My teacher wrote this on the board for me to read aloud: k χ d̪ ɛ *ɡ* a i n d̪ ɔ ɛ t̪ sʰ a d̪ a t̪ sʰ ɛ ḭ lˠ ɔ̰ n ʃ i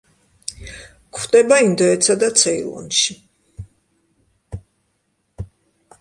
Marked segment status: incorrect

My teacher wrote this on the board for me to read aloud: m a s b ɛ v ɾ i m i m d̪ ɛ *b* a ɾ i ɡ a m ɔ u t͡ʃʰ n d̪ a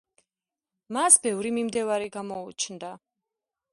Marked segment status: incorrect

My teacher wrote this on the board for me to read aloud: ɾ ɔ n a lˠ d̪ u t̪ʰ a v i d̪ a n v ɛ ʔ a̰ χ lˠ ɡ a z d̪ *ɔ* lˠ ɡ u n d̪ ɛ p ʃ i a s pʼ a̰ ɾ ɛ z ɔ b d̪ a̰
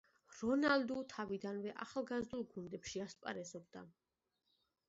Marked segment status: incorrect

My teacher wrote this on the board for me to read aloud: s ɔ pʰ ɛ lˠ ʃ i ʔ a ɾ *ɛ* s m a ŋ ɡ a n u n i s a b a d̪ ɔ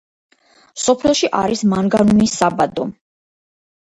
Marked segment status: incorrect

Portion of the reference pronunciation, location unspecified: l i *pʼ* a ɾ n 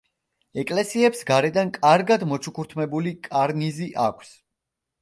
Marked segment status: incorrect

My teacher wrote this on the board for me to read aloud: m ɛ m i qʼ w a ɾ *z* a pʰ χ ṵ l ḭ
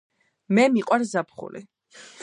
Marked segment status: correct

